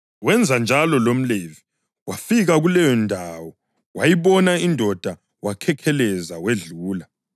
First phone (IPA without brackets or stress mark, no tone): w